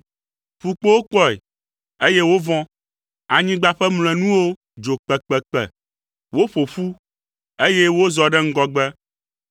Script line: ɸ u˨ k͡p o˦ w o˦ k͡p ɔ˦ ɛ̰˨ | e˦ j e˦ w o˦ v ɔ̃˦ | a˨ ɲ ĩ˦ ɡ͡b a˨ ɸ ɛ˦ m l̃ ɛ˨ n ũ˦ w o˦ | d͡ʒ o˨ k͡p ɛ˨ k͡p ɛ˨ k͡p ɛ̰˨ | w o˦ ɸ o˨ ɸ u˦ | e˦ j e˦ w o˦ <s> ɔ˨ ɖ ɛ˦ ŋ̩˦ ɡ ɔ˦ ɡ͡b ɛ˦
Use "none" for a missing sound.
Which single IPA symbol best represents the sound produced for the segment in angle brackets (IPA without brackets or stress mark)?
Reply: z